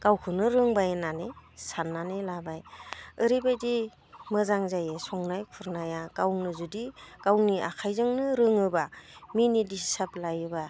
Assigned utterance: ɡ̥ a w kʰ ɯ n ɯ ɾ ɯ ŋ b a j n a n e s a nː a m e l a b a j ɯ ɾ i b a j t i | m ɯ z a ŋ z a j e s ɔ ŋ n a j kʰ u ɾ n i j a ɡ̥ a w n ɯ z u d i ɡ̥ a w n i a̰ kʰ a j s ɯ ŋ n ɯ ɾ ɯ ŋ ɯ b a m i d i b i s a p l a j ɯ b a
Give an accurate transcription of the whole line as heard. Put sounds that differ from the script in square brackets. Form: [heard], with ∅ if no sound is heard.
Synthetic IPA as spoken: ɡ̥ a w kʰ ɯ n ɯ ɾ ɯ ŋ b a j n a n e s a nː a [n] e l a b a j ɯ ɾ i b a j [d] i | m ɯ z a ŋ z a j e s ɔ ŋ n a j kʰ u ɾ n [a] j a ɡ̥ a w n ɯ z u d i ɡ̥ a w n i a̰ kʰ a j [z] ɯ ŋ n ɯ ɾ ɯ ŋ ɯ b a m i [n] i [d] i s a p l a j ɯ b a

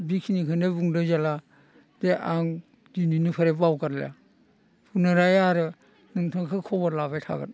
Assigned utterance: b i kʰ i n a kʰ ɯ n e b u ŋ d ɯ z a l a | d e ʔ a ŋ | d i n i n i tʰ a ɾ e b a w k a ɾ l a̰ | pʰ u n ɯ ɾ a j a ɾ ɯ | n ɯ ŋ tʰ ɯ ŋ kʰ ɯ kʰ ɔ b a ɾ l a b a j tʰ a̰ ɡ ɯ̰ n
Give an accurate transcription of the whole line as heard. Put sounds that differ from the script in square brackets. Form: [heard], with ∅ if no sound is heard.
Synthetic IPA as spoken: b i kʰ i n [i] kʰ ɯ n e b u ŋ d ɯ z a l a | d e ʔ a ŋ | d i n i n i [pʰ] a ɾ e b a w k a ɾ l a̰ | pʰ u n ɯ ɾ a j a ɾ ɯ | n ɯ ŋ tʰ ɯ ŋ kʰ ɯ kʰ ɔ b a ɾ l a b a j tʰ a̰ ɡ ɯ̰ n

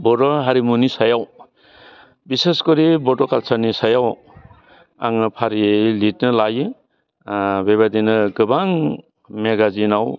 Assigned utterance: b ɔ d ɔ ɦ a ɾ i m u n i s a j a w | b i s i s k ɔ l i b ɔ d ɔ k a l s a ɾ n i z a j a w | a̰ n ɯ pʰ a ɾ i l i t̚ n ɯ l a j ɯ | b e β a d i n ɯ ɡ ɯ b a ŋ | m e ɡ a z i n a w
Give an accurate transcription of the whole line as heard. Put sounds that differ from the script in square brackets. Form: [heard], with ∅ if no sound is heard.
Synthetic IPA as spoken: b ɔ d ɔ ɦ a ɾ i m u n i s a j a w | b i s [e] s k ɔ [ɾ] i b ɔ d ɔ k a l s a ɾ n i [s] a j a w | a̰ [ŋ] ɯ pʰ a ɾ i l i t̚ n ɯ l a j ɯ | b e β a d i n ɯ ɡ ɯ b a ŋ | m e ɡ a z i n a w

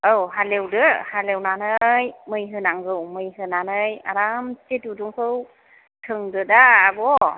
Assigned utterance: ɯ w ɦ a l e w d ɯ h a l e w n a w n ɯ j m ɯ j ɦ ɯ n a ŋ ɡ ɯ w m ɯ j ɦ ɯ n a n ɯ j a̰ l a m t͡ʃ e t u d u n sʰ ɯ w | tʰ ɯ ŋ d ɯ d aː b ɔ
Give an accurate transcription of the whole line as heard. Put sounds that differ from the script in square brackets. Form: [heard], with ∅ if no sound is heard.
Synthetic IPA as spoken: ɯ w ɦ a l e w d ɯ h a l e w n a [∅] n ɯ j m ɯ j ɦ ɯ n a ŋ ɡ ɯ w m ɯ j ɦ ɯ n a n ɯ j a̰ [ɾ] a m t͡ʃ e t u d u [ŋ] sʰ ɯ w | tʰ ɯ ŋ d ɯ d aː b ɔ

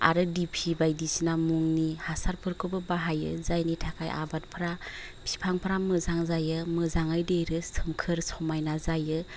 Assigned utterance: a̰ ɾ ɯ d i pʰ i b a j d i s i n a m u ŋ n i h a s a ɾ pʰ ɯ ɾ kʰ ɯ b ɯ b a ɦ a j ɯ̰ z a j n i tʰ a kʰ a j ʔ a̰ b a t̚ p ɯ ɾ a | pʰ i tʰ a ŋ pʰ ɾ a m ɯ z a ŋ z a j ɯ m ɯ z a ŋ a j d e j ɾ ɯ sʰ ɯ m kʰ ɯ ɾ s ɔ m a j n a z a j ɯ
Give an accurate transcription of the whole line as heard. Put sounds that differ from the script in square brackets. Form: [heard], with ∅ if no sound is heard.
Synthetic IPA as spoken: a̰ ɾ ɯ d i pʰ i b a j d i s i n a m u ŋ n i h a s a ɾ pʰ ɯ ɾ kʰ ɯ b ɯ b a ɦ a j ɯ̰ z a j n i tʰ a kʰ a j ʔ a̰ b a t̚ [pʰ] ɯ ɾ a | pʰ i [pʰ] a ŋ pʰ ɾ a m ɯ z a ŋ z a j ɯ m ɯ z a ŋ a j d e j ɾ ɯ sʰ ɯ m kʰ ɯ ɾ s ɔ m a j n a z a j ɯ

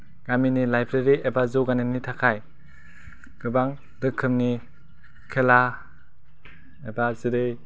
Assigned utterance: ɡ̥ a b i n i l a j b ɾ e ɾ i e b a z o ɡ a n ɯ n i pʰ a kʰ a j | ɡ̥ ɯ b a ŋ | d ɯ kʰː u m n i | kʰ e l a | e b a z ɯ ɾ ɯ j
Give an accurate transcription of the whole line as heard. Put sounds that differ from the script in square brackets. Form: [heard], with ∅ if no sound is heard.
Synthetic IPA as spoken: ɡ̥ a [m] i n i l a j b ɾ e ɾ i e b a z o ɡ a n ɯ n i [tʰ] a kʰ a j | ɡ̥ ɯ b a ŋ | d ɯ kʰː [ɯ] m n i | kʰ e l a | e b a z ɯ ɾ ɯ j

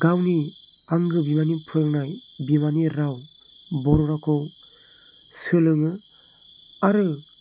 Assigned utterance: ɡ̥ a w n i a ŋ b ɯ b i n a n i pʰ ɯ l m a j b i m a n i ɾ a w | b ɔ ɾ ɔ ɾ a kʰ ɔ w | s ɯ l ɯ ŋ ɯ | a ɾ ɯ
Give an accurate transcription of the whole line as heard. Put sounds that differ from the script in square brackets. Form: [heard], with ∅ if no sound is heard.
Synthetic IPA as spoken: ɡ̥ a w n i a ŋ [ɡ] ɯ b i [m] a n i pʰ ɯ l [n] a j b i m a n i ɾ a w | b ɔ ɾ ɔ ɾ a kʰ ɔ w | s ɯ l ɯ ŋ ɯ | a ɾ ɯ

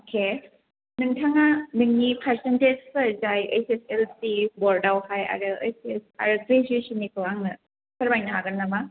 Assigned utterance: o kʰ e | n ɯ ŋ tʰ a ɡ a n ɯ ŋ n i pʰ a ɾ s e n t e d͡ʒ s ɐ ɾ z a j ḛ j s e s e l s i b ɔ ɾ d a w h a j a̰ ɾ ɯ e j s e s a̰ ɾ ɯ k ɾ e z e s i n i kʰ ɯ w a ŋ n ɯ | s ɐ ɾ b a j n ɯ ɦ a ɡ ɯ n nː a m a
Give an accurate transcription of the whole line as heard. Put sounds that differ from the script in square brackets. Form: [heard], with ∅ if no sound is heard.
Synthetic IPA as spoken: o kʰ e | n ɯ ŋ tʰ a [ŋ] a n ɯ ŋ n i pʰ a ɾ s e n t e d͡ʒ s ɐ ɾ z a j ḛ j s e s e l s i b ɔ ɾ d a w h a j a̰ ɾ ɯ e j s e s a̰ ɾ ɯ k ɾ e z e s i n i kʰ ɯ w a ŋ n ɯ | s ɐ ɾ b a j n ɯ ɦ a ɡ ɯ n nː a m a

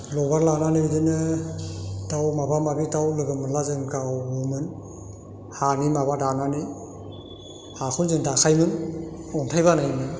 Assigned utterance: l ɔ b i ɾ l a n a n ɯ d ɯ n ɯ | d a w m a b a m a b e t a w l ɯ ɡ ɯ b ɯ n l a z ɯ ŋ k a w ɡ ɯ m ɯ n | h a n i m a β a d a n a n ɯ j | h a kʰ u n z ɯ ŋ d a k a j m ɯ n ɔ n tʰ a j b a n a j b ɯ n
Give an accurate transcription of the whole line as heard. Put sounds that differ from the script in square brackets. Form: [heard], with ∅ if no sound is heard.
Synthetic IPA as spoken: l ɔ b [a] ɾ l a n a n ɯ d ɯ n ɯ | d a w m a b a m a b [i] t a w l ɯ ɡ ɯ [m] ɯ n l a z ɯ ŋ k a w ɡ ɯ m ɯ n | h a n i m a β a d a n a n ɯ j | h a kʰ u n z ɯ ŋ d a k a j m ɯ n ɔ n tʰ a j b a n a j [m] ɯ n

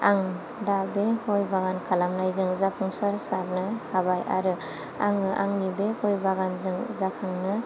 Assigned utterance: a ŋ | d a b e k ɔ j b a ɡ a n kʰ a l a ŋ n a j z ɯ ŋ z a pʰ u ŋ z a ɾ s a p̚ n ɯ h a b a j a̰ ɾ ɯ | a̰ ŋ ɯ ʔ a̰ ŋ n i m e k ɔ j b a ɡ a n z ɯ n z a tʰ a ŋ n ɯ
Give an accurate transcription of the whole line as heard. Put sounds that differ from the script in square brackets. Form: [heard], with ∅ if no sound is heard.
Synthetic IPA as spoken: a ŋ | d a b e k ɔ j b a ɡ a n kʰ a l a [m] n a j z ɯ ŋ z a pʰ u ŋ [s] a ɾ s a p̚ n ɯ h a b a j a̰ ɾ ɯ | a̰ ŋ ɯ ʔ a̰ ŋ n i [b] e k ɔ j b a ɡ a n z ɯ [ŋ] z a [kʰ] a ŋ n ɯ

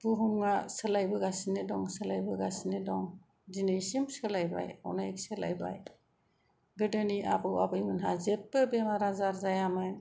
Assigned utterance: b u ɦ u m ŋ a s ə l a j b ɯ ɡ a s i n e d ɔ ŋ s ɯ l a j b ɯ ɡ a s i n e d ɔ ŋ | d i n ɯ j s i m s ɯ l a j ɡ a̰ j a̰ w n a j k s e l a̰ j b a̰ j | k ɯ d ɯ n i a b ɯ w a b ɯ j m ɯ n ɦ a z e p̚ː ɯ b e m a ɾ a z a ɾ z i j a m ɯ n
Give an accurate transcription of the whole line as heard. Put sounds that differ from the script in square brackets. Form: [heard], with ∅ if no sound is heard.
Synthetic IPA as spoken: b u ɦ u m ŋ a s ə l a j b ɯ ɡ a s i n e d ɔ ŋ s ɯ l a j b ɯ ɡ a s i n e d ɔ ŋ | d i n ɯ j s i m s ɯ l a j [b] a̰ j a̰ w n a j k s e l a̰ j b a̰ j | [ɡ] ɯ d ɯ n i a b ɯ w a b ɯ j m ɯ n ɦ a z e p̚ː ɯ b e m a ɾ a z a ɾ z [a] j a m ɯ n

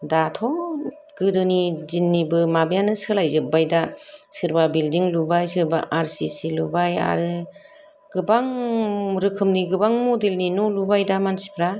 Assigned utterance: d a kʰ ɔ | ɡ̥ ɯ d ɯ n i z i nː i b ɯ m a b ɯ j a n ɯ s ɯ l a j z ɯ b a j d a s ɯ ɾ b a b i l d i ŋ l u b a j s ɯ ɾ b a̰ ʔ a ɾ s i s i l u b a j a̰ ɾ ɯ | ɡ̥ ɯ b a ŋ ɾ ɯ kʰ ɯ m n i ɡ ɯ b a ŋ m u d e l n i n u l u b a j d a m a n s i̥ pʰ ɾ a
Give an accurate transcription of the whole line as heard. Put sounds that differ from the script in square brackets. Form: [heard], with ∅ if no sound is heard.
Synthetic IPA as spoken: d a [tʰ] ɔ | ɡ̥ ɯ d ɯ n i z i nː i b ɯ m a b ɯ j a n ɯ s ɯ l a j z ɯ b a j d a s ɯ ɾ b a b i l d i ŋ l u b a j s ɯ ɾ b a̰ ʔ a ɾ s i s i l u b a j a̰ ɾ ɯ | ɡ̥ ɯ b a ŋ ɾ ɯ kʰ ɯ m n i ɡ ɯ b a ŋ m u d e l n i n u l u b a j d a m a n s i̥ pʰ ɾ a

